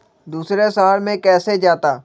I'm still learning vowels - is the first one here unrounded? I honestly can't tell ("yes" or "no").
no